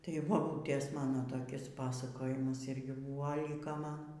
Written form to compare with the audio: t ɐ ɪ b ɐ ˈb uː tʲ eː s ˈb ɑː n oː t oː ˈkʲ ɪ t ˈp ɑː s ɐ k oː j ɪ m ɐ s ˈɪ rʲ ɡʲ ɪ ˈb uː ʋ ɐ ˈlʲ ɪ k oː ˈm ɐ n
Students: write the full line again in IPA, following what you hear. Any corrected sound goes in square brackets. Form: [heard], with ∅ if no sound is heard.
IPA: t ɐ ɪ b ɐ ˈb uː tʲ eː s [ˈm] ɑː n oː t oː ˈkʲ ɪ [s] ˈp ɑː s ɐ k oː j ɪ m ɐ s ˈɪ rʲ ɡʲ ɪ ˈb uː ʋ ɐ ˈlʲ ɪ k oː ˈm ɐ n